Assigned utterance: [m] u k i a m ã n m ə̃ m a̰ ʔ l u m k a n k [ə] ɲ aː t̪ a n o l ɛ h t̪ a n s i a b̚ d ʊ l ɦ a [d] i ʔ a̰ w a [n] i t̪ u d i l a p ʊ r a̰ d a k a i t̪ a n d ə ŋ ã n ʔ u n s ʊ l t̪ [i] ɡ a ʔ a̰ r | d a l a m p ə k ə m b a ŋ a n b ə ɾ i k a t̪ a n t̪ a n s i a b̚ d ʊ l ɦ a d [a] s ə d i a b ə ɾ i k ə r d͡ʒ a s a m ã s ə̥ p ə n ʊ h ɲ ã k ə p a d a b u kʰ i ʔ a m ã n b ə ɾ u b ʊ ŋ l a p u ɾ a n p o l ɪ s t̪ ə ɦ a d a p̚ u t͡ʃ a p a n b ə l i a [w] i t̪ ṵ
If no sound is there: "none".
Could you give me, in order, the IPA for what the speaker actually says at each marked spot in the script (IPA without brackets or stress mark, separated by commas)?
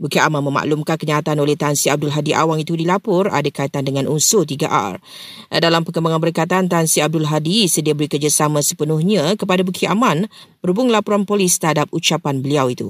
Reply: b, ə, d, ŋ, i, i, w